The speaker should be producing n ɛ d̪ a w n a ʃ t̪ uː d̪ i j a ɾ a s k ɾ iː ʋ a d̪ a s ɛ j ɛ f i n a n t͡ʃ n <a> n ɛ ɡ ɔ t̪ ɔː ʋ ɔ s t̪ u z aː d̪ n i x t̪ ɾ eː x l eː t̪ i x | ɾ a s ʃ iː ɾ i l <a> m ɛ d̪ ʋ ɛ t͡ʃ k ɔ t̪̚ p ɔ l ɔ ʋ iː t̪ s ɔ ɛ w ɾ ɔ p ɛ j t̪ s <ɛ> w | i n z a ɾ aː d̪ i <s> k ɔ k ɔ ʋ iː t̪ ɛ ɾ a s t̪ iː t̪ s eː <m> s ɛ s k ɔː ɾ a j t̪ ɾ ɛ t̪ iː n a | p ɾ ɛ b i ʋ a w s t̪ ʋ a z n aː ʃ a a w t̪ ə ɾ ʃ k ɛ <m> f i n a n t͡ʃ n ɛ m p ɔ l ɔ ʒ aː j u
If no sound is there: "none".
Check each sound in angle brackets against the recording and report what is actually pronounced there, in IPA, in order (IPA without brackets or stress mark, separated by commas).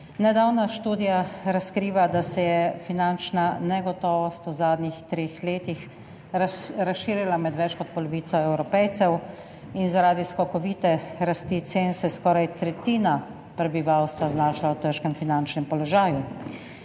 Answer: a, a, ɛ, s, n, m